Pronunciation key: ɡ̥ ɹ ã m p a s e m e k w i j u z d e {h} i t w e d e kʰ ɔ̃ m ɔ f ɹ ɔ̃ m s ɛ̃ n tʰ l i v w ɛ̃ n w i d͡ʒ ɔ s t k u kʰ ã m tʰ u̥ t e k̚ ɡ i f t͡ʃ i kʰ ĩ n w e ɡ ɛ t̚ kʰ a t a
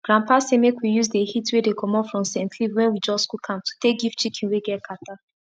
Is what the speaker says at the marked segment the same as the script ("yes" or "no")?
yes